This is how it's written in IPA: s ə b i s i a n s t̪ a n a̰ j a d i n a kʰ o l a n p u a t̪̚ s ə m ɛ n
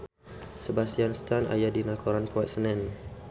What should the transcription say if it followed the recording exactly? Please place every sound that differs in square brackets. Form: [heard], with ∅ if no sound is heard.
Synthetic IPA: s ə b [a] s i a n s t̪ a n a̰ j a d i n a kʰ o [ɾ] a n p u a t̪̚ s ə [n] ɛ n